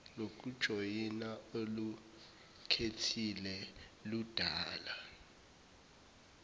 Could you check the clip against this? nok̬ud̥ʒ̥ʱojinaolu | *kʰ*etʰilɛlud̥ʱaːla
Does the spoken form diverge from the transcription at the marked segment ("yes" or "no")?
no